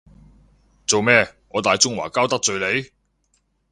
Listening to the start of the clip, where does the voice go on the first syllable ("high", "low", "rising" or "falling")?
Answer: low